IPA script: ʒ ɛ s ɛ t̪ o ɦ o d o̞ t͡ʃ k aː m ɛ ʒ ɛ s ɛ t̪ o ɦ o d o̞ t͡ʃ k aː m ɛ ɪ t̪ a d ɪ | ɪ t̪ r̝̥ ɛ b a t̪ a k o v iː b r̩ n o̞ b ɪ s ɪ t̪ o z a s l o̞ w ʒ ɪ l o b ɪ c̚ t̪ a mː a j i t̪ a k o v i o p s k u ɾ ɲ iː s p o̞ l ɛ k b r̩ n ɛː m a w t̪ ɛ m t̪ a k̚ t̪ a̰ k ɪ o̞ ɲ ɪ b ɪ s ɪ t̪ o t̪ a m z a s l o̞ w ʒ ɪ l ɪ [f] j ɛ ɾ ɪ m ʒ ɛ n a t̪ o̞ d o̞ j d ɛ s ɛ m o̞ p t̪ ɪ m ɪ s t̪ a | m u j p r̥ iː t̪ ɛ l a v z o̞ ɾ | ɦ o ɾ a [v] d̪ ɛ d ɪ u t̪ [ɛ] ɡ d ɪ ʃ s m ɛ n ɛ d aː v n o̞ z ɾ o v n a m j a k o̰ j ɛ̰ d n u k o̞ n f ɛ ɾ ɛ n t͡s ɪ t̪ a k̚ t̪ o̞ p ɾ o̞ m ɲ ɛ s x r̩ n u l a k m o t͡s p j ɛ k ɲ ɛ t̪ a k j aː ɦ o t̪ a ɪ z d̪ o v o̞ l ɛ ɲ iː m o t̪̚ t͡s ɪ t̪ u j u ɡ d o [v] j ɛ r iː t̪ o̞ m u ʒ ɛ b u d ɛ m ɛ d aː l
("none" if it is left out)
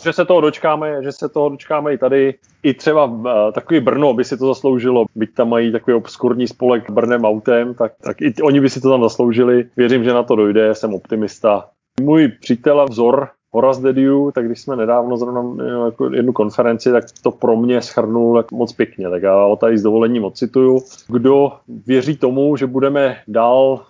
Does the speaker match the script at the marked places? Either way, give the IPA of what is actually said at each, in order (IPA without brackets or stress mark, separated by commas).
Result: v, z, a, v